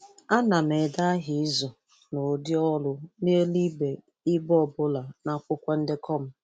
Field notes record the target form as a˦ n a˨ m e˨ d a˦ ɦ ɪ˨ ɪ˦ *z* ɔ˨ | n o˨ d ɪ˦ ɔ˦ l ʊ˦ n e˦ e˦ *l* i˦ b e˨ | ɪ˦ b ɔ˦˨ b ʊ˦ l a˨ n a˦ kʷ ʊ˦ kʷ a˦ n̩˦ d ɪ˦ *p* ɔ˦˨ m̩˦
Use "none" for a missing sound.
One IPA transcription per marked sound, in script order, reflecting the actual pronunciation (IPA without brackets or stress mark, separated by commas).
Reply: z, l, k